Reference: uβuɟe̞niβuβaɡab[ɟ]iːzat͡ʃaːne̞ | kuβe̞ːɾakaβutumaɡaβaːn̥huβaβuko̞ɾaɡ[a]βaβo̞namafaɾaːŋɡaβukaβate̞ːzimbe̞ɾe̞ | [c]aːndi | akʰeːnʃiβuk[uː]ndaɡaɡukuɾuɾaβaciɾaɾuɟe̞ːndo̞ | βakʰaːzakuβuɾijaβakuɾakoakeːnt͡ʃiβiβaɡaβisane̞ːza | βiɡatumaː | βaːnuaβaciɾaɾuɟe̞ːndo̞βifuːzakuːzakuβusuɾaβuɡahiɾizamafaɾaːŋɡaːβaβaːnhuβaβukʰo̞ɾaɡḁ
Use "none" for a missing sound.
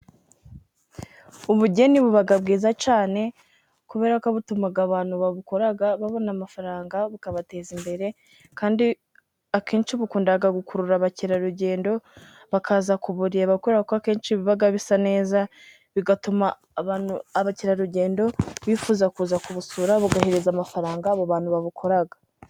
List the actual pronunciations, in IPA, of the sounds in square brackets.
ɡ, a, k, uː

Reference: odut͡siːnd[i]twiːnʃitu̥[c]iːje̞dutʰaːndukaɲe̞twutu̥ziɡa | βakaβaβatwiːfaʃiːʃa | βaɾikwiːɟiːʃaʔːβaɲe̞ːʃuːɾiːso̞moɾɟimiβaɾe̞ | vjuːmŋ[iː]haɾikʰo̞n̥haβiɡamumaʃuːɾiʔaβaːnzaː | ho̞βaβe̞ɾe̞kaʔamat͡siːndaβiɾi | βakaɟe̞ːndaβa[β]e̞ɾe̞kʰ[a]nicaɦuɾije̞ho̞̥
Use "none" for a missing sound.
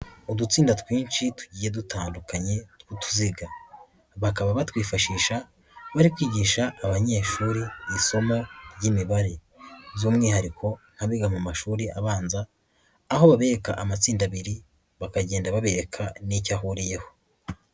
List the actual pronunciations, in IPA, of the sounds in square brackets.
a, ɟ, iː, β, a

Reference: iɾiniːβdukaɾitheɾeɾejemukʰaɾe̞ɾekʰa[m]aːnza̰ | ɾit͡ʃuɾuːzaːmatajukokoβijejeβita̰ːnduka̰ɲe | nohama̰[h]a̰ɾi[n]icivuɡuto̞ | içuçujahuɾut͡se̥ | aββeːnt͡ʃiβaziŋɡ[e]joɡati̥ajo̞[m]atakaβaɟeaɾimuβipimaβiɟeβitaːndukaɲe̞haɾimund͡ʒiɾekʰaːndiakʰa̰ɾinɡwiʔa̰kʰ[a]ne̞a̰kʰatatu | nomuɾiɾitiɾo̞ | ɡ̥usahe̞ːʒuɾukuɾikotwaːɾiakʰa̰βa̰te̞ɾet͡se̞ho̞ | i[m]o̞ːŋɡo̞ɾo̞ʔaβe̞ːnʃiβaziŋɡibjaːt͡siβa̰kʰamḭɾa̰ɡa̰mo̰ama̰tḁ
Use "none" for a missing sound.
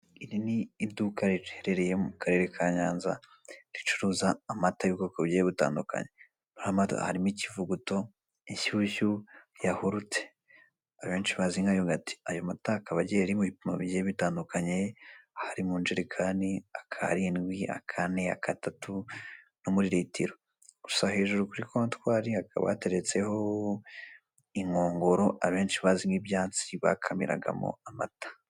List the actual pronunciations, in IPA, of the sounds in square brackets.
ɲ, h, m, a, m, a, ŋ

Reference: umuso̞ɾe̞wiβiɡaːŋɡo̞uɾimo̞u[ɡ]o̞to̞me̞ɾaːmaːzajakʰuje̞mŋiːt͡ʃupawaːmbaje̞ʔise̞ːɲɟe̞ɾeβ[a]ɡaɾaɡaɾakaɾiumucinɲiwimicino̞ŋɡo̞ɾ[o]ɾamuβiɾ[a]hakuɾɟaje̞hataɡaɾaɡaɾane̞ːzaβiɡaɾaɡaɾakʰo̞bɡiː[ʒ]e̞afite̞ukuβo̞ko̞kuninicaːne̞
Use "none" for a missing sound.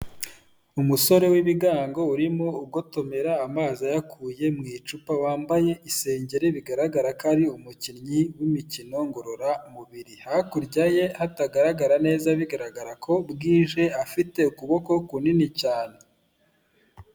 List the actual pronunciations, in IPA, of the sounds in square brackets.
ɡ, i, o, i, ʒ

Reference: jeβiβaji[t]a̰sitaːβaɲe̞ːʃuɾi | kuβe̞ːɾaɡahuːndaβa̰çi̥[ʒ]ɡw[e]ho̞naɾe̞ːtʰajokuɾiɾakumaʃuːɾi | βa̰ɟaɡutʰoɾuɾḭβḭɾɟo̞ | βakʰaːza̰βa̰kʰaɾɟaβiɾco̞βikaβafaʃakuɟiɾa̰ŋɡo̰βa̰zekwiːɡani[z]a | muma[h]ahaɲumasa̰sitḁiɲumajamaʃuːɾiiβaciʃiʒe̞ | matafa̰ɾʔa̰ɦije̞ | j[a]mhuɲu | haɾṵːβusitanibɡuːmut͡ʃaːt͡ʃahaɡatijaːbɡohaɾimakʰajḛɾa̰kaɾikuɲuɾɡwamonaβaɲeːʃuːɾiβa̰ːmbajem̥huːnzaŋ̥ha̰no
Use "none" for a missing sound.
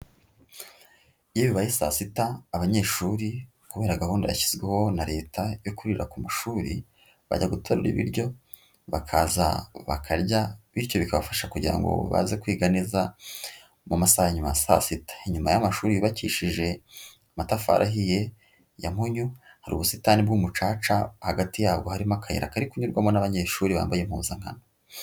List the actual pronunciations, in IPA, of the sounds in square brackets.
s, z, e, z, s, a

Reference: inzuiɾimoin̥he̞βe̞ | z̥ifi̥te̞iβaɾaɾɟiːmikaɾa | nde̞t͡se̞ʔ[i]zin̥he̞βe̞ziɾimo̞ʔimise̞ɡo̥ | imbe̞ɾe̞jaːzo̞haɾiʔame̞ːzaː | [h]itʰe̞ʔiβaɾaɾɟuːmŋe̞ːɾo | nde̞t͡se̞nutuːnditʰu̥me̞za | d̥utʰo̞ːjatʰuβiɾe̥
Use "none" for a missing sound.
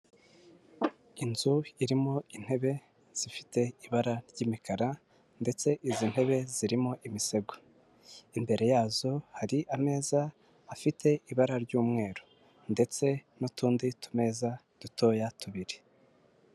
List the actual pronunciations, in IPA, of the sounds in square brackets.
i, f

